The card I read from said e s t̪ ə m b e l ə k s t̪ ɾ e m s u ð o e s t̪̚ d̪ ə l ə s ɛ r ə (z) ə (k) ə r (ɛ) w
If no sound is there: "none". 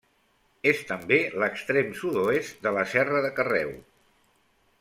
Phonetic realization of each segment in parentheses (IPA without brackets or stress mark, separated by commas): ð, k, ɛ